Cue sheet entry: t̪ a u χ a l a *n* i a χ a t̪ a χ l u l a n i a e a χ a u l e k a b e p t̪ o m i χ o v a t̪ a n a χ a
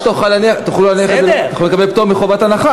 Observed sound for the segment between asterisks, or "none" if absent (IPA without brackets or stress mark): n